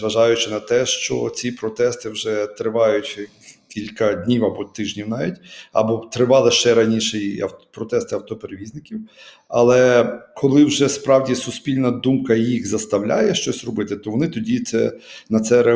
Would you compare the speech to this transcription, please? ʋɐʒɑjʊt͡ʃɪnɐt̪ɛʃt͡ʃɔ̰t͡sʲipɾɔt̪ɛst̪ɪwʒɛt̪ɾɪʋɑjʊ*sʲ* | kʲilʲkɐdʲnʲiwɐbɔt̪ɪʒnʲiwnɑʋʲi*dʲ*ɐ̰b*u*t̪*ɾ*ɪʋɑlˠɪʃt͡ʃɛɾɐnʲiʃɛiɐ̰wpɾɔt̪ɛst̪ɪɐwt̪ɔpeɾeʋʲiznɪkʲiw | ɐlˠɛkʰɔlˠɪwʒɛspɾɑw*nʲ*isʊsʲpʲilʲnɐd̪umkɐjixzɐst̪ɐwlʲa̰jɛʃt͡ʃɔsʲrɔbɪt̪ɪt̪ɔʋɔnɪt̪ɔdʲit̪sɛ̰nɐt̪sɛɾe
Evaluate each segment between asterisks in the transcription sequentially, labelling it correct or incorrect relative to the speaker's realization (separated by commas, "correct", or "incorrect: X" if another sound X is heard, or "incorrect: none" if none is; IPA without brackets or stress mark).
incorrect: tʲ, incorrect: tʲ, incorrect: ɔ, correct, incorrect: dʲ